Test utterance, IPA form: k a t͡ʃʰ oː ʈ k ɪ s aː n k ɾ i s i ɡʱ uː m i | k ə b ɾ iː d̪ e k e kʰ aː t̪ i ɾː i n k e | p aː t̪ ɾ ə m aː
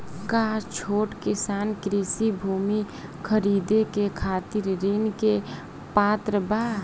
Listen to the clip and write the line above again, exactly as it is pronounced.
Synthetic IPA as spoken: k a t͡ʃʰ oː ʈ k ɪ s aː n k ɾ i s i bʱ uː m i | kʰ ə ɾ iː d̪ e k e kʰ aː t̪ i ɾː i n k e | p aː t̪ ɾ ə b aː